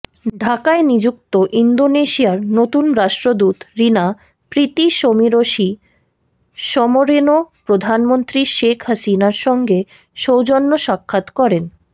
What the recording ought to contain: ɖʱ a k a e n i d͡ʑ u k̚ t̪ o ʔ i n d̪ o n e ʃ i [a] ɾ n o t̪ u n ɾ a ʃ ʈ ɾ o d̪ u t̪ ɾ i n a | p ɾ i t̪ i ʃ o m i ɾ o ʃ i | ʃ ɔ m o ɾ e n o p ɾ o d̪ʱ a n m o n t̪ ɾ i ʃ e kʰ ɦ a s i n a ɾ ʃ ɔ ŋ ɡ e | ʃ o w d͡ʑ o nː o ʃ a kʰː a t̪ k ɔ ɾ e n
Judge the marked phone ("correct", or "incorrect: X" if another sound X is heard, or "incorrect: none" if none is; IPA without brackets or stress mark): correct